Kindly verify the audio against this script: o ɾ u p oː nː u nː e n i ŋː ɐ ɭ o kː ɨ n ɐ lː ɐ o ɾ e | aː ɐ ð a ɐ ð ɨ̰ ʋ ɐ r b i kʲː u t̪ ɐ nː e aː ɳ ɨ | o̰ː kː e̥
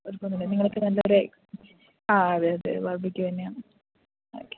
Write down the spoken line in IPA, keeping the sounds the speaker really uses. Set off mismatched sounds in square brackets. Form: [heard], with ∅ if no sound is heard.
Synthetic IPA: o ɾ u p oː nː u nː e n i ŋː ɐ ɭ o kː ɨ n ɐ lː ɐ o ɾ e | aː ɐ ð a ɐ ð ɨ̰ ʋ ɐ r b i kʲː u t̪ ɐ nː e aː ɳ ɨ | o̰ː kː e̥